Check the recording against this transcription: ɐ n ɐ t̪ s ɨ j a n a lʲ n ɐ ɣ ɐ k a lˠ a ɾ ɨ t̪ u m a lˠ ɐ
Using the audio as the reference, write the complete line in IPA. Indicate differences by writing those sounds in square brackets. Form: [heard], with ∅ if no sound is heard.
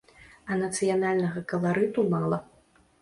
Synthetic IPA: ɐ n ɐ t̪ s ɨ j a n a lʲ n ɐ ɣ ɐ k [ɐ] lˠ a ɾ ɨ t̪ u m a lˠ ɐ